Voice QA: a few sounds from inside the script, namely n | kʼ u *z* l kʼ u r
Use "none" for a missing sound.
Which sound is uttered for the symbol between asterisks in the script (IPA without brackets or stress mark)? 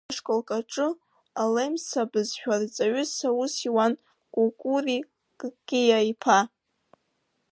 none